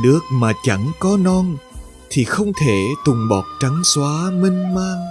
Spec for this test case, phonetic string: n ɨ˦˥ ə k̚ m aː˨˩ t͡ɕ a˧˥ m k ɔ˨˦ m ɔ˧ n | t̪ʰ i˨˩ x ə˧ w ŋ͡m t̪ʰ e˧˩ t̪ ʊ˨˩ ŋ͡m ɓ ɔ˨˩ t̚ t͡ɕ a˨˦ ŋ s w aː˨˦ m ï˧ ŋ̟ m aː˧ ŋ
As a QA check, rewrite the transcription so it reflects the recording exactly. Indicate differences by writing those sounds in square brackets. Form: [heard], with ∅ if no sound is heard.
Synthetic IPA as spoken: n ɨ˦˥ ə k̚ m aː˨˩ t͡ɕ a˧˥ [ŋ] k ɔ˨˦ [n] ɔ˧ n | t̪ʰ i˨˩ x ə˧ w ŋ͡m t̪ʰ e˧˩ t̪ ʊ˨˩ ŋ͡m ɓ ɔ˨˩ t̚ t͡ɕ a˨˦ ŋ s w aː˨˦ m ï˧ ŋ̟ m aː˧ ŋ